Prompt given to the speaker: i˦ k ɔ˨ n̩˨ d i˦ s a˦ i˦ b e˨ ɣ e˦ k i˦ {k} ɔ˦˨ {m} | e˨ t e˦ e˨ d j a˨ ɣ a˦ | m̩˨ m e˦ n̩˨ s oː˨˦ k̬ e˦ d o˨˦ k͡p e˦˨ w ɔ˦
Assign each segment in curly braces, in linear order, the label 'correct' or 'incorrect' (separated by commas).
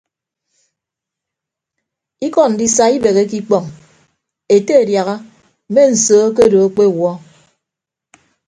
incorrect, incorrect